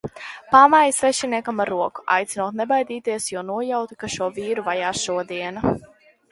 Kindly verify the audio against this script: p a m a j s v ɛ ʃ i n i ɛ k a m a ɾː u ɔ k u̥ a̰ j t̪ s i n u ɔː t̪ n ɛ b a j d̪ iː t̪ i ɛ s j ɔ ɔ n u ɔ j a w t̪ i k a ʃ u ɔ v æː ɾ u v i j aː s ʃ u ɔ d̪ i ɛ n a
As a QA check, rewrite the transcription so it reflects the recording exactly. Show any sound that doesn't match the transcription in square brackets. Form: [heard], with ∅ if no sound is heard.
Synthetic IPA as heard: p a m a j s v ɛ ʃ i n i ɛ k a m a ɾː u ɔ k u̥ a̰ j t̪ s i n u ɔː t̪ n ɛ b a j d̪ iː t̪ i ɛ s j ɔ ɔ n u ɔ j a w t̪ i k a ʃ u ɔ v [iː] ɾ u v [a] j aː s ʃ u ɔ d̪ i ɛ n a